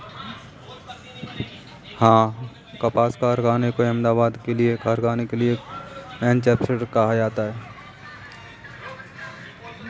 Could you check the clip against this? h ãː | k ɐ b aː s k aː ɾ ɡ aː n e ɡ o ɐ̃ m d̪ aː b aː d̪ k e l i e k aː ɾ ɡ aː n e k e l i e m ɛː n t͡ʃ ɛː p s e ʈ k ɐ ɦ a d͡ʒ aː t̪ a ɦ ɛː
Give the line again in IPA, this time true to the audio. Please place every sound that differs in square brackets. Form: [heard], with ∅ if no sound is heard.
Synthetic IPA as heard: h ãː | k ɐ [p] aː s k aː ɾ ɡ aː n e [k] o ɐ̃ m d̪ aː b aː d̪ k e l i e k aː ɾ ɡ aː n e k e l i e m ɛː n t͡ʃ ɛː p s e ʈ k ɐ ɦ a d͡ʒ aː t̪ a ɦ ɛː

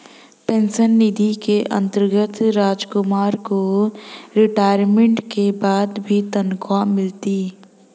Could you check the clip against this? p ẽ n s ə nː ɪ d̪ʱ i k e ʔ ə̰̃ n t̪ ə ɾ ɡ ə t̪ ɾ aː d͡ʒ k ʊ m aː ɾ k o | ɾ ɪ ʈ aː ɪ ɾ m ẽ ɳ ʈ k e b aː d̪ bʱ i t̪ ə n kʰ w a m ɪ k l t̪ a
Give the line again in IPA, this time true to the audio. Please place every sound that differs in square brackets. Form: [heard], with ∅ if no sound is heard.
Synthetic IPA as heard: p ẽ n s ə nː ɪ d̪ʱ i k e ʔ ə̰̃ n t̪ ə ɾ ɡ ə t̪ ɾ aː d͡ʒ k ʊ m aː ɾ k o | ɾ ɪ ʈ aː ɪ ɾ m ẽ ɳ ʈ k e b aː d̪ bʱ i t̪ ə n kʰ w a m ɪ [∅] l t̪ [i]

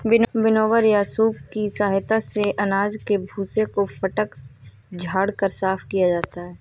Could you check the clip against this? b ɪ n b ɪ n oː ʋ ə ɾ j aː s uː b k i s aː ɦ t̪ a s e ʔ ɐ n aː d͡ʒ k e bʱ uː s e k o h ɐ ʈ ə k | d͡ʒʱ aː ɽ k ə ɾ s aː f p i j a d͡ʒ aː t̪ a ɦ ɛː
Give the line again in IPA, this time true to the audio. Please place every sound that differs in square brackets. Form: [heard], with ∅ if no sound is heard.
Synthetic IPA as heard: b ɪ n b ɪ n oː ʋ ə ɾ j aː s uː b k i s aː ɦ t̪ a s e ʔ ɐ n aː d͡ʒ k e bʱ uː s e k o [f] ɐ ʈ ə k | d͡ʒʱ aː ɽ k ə ɾ s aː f [k] i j a d͡ʒ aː t̪ a ɦ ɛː

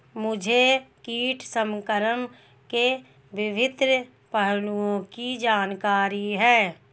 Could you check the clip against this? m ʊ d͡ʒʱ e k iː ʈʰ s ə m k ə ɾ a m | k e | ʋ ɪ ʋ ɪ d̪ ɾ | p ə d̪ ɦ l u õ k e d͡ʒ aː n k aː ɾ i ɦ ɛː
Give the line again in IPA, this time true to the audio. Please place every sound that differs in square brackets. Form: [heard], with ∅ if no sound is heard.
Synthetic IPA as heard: m ʊ d͡ʒʱ e k iː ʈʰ s ə m k ə ɾ [ə] m | k e | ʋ ɪ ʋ ɪ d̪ ɾ | p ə [∅] ɦ l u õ k [i] d͡ʒ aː n k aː ɾ i ɦ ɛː

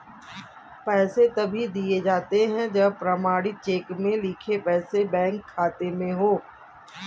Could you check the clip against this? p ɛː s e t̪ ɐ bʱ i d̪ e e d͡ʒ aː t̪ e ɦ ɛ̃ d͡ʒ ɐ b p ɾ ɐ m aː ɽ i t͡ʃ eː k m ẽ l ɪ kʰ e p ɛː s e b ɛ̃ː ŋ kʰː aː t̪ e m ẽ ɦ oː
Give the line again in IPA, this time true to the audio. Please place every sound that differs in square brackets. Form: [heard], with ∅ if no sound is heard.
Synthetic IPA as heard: p ɛː s e t̪ ɐ bʱ i d̪ [i] e d͡ʒ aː t̪ e ɦ ɛ̃ d͡ʒ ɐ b p ɾ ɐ m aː ɽ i t͡ʃ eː k m ẽ l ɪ kʰ e p ɛː s e b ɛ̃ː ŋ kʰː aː t̪ e m ẽ ɦ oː

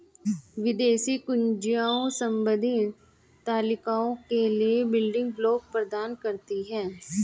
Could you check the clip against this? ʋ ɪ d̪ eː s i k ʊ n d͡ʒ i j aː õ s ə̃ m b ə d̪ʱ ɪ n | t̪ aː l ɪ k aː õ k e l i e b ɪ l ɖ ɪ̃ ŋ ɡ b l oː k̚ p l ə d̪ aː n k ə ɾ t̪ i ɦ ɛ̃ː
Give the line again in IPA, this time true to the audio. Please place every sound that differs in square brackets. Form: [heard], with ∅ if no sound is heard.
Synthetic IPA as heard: ʋ ɪ d̪ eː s i k ʊ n d͡ʒ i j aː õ s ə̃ m b ə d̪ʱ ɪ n | t̪ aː l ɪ k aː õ k e l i e b ɪ l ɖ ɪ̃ ŋ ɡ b l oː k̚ p [ɾ] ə d̪ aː n k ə ɾ t̪ i ɦ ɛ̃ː

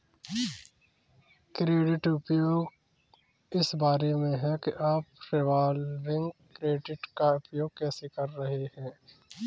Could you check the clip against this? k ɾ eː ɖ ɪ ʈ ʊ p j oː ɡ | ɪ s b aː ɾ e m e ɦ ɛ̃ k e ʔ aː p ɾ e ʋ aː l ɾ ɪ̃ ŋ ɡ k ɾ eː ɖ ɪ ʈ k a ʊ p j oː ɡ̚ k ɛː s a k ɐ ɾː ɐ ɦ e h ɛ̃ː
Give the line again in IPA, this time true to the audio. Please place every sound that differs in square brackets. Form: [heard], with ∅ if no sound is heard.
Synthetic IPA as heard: k ɾ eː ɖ ɪ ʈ ʊ p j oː ɡ | ɪ s b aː ɾ e m [ẽ] ɦ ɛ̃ k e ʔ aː p ɾ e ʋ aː l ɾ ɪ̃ ŋ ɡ k ɾ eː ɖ ɪ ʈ k a ʊ p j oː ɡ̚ k ɛː s [e] k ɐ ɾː ɐ ɦ e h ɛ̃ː

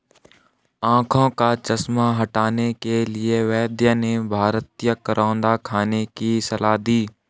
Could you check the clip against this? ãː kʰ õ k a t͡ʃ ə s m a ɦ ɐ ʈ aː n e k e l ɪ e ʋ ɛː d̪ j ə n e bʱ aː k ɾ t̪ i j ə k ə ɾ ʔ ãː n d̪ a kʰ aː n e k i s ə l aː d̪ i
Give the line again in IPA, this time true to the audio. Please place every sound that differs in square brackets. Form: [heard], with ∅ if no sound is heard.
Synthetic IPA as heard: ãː kʰ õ k a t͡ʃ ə s m a ɦ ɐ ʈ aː n e k e l ɪ e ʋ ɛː d̪ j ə n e bʱ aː [∅] ɾ t̪ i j ə k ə ɾ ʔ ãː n d̪ a kʰ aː n e k i s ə l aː d̪ [iː]

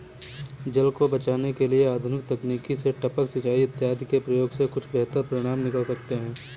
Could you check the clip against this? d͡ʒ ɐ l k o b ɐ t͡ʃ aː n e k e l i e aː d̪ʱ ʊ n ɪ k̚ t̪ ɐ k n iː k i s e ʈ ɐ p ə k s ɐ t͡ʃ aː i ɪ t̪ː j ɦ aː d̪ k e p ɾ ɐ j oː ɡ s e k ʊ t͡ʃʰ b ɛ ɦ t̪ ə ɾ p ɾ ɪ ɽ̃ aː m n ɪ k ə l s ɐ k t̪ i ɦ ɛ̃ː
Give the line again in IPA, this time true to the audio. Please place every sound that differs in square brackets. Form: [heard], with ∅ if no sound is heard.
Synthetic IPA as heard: d͡ʒ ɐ l k o b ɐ t͡ʃ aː n e k e l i e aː d̪ʱ ʊ n ɪ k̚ t̪ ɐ k n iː k i s e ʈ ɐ p ə k s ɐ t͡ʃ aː i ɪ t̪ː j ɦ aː d̪ k e p ɾ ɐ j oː ɡ s e k ʊ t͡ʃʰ b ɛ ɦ t̪ ə ɾ p ɾ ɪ ɽ̃ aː m n ɪ k ə l s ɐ k t̪ [e] ɦ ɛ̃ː

